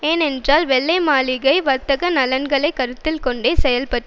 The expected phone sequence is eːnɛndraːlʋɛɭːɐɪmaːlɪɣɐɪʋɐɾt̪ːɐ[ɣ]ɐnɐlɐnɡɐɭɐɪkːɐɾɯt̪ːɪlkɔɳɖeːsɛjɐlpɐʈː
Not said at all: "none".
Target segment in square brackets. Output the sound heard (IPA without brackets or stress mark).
ɣ